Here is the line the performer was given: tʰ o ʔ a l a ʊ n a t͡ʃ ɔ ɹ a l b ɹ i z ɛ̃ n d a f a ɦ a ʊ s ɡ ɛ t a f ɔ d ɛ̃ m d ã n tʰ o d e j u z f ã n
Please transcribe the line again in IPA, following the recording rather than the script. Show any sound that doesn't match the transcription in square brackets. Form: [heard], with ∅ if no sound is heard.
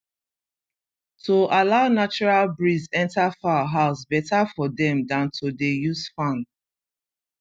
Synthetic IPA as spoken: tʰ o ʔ a l a ʊ n a t͡ʃ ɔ ɹ a l b ɹ i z ɛ̃ n [t] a f a ɦ a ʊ s [b] ɛ t a f ɔ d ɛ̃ m d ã n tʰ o d e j u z f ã n

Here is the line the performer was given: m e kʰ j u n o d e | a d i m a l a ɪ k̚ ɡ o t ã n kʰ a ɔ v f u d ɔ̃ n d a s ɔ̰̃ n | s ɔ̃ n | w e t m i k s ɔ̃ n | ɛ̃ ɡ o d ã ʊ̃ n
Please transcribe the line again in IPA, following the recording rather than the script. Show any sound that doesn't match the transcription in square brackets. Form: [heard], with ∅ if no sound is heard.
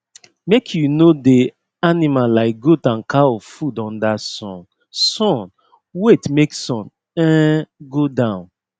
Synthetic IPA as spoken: m e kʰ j u n o d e | a [n] i m a l a ɪ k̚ ɡ o t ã n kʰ a ɔ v f u d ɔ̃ n d a s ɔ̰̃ n | s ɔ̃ n | w e t m [e] k s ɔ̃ n | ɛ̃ ɡ o d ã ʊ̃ n

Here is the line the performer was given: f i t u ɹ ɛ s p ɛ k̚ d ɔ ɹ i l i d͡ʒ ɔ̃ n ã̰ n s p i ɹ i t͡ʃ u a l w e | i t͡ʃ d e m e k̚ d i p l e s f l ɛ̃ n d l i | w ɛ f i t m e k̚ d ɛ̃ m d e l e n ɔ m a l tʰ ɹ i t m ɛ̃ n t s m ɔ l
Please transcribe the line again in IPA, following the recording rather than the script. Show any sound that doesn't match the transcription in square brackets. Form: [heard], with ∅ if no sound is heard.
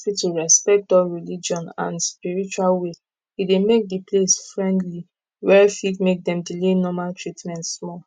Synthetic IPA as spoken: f i t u ɹ ɛ s p ɛ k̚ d ɔ ɹ i l i d͡ʒ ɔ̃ n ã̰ n s p i ɹ i t͡ʃ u a l w e | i [∅] d e m e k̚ d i p l e s f [ɹ] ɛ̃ n d l i | w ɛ f i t m e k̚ d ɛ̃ m d [i] l e n ɔ m a l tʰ ɹ i t m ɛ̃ n t s m ɔ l

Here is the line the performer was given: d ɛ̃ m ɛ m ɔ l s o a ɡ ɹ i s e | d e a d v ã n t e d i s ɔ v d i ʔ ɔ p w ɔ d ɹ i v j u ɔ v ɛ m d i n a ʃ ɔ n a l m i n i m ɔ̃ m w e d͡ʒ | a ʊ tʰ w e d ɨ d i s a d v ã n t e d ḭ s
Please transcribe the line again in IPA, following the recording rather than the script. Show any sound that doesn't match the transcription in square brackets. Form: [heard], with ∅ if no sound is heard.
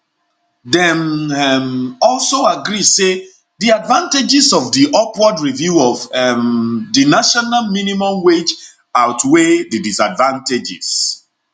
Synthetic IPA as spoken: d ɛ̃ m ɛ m ɔ l s o a ɡ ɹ i s e | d [i] a d v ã n t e [d͡ʒ] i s ɔ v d i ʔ ɔ p w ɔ d ɹ i v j u ɔ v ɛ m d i n a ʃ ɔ n a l m i n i m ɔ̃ m w e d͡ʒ | a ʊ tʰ w e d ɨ d i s a d v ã n t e [d͡ʒ] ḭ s

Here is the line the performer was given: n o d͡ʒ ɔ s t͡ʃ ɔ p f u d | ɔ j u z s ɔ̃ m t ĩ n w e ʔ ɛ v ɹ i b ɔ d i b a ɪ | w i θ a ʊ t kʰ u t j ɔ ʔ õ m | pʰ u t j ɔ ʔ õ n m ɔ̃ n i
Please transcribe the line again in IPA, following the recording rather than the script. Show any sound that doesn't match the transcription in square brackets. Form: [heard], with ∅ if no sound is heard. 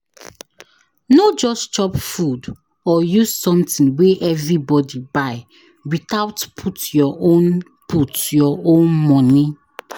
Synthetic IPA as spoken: n o d͡ʒ ɔ s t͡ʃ ɔ p f u d | ɔ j u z s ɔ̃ m t ĩ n w e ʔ ɛ v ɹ i b ɔ d i b a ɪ | w i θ a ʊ t [pʰ] u t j ɔ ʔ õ [n] | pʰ u t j ɔ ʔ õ n m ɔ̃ n i

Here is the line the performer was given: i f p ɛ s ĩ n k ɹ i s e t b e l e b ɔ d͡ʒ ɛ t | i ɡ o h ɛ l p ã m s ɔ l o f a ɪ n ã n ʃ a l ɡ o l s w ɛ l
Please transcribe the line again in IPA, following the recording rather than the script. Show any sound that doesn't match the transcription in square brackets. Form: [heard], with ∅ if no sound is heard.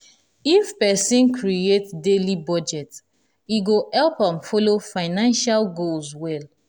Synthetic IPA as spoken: i f p ɛ s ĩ n k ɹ i [∅] e t [d] e l [i] b ɔ d͡ʒ ɛ t | i ɡ o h ɛ l p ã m [f] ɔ l o f a ɪ n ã n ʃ a l ɡ o l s w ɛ l

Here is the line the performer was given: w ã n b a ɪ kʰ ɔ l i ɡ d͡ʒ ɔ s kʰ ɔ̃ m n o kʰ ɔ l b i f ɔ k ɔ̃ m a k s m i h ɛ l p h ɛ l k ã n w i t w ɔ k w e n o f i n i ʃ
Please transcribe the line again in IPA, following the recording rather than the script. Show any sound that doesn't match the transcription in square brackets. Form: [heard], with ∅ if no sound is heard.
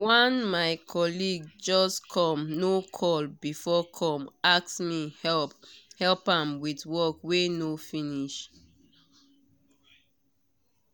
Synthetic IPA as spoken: w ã n [m] a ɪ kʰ ɔ l i ɡ d͡ʒ ɔ s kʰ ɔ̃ m n o kʰ ɔ l b i f ɔ [kʰ] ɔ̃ m a k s m i h ɛ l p h ɛ l [p] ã [m] w i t w ɔ k w e n o f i n i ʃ

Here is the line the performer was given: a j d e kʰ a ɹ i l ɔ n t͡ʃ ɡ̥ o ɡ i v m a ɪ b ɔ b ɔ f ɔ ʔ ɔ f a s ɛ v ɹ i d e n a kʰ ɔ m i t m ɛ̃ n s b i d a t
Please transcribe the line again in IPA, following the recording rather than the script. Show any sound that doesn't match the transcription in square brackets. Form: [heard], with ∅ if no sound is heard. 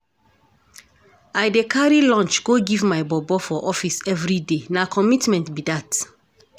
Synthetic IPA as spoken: a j d e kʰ a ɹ i l [ɔ̃] n t͡ʃ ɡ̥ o ɡ i v m a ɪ b ɔ b ɔ f ɔ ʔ ɔ f [i] s ɛ v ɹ i d e n a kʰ ɔ m i t m ɛ̃ n [t] b i d a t

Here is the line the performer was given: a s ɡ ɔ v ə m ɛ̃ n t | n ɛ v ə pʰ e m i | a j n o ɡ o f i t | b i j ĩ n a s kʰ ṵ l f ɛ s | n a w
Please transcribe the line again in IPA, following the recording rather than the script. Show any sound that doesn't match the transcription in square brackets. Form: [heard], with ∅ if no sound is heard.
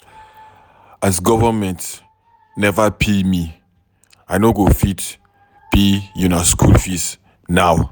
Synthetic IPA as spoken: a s ɡ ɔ v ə m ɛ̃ n t | n ɛ v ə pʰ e m i | a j n o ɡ o f i t | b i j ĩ n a s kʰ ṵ l f [i] s | n a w

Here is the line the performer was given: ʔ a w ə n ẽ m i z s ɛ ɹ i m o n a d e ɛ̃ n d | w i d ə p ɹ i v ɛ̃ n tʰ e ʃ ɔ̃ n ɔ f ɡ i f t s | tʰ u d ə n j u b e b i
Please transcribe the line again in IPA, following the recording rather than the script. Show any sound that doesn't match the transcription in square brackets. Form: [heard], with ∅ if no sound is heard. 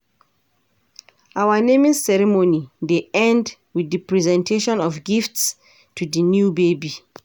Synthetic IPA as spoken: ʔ a w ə n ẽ m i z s ɛ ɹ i m o n [i] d e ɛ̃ n d | w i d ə p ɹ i [z] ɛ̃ n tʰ e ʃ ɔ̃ n ɔ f ɡ i f t s | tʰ u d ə n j u b e b i

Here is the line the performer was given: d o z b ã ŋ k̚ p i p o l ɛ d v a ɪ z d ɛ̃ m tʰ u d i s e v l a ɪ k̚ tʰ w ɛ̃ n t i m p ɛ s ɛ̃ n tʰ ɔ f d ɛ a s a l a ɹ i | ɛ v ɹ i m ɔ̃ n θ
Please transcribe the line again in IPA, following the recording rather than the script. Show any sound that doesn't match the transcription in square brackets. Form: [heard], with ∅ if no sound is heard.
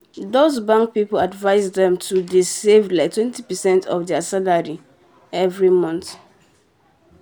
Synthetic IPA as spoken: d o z b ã ŋ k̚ p i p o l [a] d v a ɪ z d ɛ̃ m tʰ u d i s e v l a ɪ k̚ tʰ w ɛ̃ n t i [∅] p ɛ s ɛ̃ n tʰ ɔ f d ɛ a s a l a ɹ i | ɛ v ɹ i m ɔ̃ n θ

